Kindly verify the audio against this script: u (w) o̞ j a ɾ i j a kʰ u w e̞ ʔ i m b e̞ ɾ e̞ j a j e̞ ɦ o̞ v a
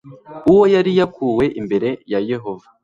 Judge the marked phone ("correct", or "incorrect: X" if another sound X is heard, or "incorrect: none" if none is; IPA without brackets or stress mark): correct